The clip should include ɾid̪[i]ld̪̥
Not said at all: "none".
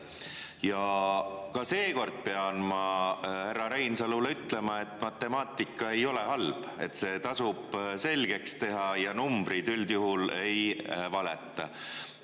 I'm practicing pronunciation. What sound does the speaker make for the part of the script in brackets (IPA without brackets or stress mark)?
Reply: y